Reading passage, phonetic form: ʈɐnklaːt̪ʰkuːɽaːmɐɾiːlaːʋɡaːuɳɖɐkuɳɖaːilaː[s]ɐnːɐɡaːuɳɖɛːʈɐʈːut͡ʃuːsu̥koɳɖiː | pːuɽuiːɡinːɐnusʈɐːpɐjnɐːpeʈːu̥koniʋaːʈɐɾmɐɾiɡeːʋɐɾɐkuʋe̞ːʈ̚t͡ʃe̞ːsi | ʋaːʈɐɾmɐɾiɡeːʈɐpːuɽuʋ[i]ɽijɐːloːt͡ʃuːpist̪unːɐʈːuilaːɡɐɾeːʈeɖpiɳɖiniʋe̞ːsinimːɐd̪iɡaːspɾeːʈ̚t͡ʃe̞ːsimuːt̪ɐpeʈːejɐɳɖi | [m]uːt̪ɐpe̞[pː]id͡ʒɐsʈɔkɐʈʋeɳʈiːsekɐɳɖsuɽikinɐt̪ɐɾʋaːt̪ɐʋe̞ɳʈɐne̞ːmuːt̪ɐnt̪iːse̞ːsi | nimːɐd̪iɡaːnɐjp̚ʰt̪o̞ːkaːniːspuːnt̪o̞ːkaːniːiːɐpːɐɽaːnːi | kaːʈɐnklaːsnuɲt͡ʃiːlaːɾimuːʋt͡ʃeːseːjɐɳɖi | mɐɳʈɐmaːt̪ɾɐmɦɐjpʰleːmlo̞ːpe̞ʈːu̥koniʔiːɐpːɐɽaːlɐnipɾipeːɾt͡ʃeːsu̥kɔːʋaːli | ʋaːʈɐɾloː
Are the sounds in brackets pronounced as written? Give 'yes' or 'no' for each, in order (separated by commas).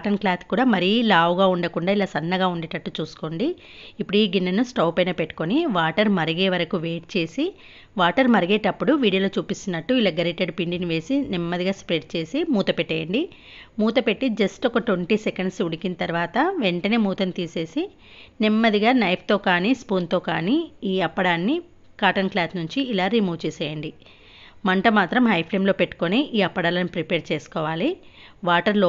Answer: yes, no, yes, no